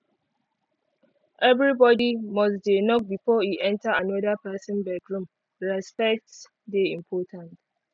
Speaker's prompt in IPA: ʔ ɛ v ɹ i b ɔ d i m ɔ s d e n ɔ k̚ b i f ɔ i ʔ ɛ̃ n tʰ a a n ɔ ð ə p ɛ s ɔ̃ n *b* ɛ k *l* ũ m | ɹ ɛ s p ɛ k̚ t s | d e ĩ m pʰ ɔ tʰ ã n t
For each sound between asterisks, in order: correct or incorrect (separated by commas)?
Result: correct, incorrect